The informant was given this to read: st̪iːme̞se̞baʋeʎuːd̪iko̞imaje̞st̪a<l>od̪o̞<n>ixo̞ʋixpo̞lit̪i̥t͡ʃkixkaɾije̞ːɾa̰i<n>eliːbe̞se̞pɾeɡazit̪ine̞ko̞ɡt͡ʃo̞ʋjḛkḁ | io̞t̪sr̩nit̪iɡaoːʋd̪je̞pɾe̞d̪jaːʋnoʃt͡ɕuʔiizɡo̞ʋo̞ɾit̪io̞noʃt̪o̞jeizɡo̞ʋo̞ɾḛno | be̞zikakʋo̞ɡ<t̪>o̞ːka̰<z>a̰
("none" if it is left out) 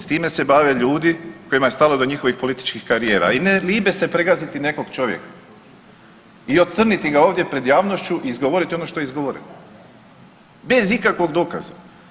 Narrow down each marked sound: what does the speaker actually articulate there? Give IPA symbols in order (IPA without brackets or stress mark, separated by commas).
l, ɲ, n, d̪, z